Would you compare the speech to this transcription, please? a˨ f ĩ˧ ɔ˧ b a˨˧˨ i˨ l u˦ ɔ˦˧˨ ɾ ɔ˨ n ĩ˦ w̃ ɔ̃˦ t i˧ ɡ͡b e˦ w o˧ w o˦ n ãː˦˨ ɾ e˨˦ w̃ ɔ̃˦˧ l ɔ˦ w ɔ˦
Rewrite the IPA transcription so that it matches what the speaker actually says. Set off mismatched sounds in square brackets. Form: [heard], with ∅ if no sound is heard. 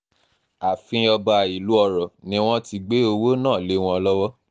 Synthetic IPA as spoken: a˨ f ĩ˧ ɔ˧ b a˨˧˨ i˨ l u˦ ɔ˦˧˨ ɾ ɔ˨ n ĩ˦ w̃ ɔ̃˦ t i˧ ɡ͡b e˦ [∅] o˧ w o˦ n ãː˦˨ [l] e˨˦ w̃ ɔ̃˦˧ l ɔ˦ w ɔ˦